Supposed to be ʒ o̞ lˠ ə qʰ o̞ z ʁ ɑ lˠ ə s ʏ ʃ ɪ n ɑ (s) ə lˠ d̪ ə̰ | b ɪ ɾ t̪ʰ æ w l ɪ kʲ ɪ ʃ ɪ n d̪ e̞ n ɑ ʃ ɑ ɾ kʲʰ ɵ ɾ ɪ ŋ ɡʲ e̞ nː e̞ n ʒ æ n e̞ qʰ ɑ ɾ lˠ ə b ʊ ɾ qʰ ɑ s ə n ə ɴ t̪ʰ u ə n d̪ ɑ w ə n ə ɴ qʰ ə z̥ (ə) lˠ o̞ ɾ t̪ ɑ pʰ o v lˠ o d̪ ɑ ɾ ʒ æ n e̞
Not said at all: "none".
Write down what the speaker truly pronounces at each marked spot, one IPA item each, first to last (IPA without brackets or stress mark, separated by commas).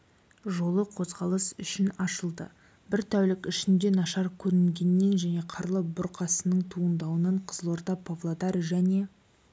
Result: ʃ, ə